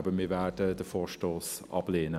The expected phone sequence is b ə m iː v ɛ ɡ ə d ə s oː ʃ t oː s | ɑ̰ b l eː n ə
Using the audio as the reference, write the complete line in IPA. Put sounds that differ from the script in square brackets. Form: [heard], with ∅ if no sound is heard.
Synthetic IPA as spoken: b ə m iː v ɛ [d] ə d ə [f] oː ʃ t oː s | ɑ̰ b l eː n ə